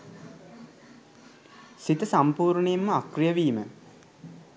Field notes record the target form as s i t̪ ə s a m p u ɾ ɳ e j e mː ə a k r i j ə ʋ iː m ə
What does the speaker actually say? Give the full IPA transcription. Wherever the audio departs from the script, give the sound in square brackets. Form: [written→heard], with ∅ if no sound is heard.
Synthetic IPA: s i t̪ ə s a m p [u→uː] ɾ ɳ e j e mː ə a k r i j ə ʋ iː m ə